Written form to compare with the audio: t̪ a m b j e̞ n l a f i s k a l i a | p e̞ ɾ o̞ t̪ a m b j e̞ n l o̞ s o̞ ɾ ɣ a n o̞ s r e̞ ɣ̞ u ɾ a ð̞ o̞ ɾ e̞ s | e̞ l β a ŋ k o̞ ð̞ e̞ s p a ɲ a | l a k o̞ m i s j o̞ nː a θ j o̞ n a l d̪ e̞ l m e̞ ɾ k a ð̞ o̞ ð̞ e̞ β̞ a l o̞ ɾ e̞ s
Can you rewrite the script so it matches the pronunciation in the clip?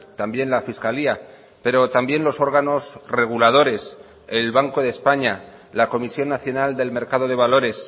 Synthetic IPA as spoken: t̪ a m b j e̞ n l a f i s k a l i a | p e̞ ɾ o̞ t̪ a m b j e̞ n l o̞ s o̞ ɾ ɣ a n o̞ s r e̞ ɣ̞ u l a ð̞ o̞ ɾ e̞ s | e̞ l β a ŋ k o̞ ð̞ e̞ s p a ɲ a | l a k o̞ m i s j o̞ nː a θ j o̞ n a l d̪ e̞ l m e̞ ɾ k a ð̞ o̞ ð̞ e̞ β̞ a l o̞ ɾ e̞ s